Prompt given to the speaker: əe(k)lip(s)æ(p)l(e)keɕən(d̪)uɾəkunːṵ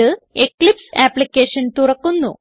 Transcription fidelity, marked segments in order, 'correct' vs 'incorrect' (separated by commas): correct, correct, correct, incorrect, incorrect